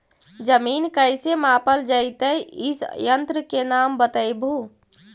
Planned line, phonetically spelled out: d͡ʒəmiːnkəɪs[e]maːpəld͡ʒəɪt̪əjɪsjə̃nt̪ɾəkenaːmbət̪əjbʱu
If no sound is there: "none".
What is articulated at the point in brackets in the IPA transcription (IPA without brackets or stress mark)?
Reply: e